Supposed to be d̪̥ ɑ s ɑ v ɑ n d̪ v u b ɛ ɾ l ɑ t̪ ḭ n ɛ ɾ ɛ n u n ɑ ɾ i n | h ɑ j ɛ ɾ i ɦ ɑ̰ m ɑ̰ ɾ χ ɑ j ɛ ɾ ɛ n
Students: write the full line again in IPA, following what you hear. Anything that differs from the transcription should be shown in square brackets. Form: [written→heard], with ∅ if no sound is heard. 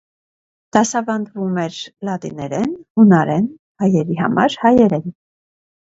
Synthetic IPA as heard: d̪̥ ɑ s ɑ v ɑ n d̪ v u [b→m] ɛ ɾ l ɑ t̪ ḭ n ɛ ɾ ɛ n u n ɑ ɾ [i→ɛ] n | h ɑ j ɛ ɾ i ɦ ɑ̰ m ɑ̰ ɾ [χ→h] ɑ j ɛ ɾ ɛ n